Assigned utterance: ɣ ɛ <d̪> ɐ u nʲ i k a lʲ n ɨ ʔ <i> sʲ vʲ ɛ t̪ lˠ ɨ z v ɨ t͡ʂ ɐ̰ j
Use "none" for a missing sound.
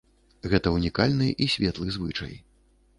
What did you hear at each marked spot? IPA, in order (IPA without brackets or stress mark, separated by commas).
t̪, i